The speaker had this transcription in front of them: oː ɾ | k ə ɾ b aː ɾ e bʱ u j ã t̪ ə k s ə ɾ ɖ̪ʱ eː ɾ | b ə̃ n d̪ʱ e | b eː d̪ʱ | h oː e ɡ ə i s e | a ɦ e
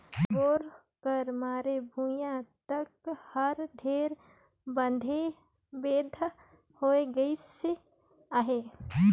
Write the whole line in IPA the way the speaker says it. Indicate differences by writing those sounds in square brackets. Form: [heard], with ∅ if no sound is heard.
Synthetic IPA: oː ɾ | k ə ɾ [m] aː ɾ e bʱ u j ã t̪ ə k [h] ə ɾ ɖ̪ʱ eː ɾ | b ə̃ n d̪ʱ e | b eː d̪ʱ | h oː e ɡ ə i s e | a ɦ e